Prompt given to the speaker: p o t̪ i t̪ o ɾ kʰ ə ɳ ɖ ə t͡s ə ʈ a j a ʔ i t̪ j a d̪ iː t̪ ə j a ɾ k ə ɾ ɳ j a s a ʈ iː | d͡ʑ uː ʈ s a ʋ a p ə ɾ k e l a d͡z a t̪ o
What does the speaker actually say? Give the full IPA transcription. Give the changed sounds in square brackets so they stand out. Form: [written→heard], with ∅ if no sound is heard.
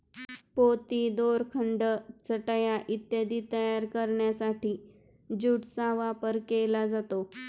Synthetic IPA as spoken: p o t̪ i [t̪→d̪] o ɾ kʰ ə ɳ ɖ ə t͡s ə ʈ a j a ʔ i t̪ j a d̪ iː t̪ ə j a ɾ k ə ɾ ɳ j a s a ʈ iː | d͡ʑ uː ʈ s a ʋ a p ə ɾ k e l a d͡z a t̪ o